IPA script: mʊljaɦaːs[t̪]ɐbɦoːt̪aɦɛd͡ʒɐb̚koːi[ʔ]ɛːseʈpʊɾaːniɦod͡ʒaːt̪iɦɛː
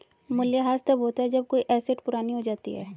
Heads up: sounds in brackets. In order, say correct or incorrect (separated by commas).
correct, correct